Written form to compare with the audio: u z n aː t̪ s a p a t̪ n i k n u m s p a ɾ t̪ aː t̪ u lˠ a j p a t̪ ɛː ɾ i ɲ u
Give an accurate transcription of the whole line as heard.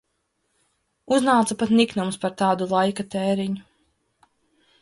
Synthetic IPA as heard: u z n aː t̪ s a p a t̪ n i k n u m s p a ɾ t̪ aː d̪ u lˠ a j k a t̪ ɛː ɾ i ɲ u